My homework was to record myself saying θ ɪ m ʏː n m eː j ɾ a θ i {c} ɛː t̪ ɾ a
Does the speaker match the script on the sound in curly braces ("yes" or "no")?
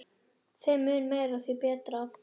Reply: no